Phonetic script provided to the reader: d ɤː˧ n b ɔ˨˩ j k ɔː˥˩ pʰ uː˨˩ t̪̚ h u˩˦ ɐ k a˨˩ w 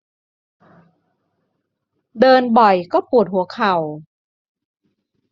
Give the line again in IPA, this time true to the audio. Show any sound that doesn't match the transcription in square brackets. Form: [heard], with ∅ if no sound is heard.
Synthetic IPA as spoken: d ɤː˧ n b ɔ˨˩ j k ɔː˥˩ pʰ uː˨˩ t̪̚ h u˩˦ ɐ [kʰ] a˨˩ w